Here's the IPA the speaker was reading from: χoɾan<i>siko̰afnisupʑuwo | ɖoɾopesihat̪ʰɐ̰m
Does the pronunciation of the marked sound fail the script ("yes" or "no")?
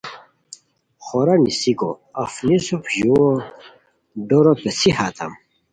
no